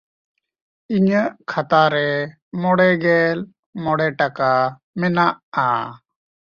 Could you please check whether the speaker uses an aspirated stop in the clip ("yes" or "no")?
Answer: yes